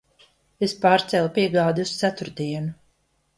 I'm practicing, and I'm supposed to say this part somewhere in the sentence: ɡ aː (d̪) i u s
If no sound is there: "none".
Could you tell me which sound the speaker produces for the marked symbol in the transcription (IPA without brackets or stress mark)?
d̪